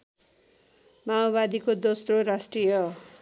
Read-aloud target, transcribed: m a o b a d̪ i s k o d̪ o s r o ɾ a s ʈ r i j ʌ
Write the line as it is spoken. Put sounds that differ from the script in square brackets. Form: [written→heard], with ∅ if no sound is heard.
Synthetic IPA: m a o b a d̪ i [s→∅] k o d̪ o s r o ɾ a s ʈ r i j ʌ